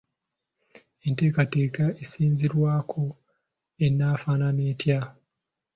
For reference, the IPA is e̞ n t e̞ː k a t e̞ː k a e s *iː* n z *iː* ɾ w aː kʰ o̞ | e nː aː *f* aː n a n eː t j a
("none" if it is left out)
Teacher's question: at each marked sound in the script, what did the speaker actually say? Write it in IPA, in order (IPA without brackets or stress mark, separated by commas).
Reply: iː, i, f